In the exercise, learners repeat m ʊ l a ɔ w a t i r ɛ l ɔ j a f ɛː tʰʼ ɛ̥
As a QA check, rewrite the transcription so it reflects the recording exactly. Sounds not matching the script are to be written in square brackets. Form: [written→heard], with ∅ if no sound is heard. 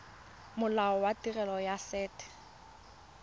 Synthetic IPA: m ʊ l a ɔ w a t i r ɛ l ɔ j a [f→s] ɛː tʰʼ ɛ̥